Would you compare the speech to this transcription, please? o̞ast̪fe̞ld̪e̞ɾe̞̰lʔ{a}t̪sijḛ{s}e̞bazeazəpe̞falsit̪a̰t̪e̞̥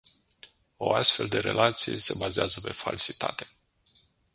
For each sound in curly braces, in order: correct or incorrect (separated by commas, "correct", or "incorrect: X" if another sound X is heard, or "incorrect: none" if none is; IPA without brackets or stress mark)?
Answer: correct, correct